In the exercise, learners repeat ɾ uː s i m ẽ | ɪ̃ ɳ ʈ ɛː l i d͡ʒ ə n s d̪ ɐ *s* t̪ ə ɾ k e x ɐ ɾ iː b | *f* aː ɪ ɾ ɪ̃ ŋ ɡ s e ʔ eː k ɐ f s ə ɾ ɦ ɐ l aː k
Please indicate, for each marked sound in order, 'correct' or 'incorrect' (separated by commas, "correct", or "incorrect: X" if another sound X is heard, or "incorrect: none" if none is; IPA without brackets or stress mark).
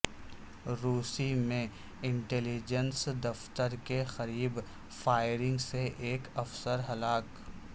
incorrect: f, correct